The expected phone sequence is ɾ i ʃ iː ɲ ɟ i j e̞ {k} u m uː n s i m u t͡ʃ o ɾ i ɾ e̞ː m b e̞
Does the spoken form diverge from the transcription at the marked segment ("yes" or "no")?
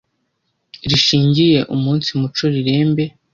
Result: yes